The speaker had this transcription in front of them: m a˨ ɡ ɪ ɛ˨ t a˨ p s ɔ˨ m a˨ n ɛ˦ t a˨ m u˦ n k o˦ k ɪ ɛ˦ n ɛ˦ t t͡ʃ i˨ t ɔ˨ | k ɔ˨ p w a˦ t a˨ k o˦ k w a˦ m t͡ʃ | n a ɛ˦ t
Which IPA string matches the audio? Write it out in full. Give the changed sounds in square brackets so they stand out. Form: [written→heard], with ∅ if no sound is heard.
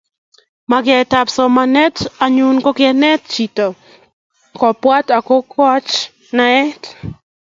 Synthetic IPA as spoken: m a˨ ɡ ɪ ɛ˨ t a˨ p s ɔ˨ m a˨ n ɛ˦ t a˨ [m→ɲ] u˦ n k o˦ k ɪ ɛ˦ n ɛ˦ t t͡ʃ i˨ t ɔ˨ | k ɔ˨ p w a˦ t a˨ k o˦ k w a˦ [m→∅] t͡ʃ | n a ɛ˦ t